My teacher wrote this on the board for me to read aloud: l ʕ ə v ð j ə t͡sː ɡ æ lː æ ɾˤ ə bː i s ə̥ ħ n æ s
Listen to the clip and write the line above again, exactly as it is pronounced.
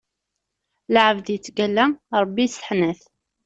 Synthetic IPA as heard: l ʕ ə v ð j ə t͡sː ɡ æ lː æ ɾˤ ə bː i s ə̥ ħ n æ θ